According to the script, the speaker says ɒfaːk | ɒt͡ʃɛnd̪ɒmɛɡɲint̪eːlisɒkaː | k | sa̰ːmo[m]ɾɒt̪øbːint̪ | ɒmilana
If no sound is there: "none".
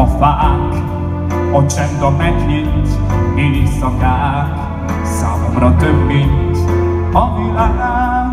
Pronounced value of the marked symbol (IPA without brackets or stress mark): m